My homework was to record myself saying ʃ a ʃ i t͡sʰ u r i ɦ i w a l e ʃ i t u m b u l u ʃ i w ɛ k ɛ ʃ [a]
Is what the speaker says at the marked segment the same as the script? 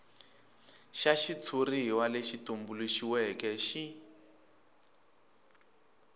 no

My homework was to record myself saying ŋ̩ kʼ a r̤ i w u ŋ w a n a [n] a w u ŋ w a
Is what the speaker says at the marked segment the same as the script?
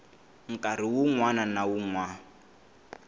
yes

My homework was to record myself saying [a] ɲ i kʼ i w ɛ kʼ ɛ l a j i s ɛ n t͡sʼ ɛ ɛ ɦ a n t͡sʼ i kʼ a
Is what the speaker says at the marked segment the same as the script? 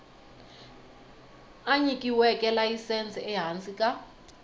yes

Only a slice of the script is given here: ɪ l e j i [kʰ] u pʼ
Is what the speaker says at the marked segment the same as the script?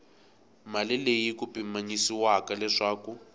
no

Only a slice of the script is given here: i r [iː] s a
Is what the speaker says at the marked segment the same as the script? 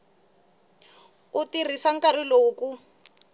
no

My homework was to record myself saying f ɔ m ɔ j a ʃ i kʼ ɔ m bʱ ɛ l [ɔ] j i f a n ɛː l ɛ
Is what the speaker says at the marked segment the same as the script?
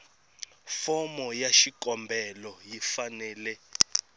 yes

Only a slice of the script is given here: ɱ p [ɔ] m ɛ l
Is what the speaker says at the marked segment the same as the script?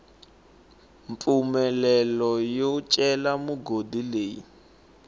no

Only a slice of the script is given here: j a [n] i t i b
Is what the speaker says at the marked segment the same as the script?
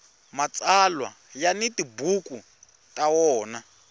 yes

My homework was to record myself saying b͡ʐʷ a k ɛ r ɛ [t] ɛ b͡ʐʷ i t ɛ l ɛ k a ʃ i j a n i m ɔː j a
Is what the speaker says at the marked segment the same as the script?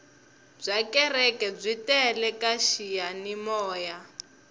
no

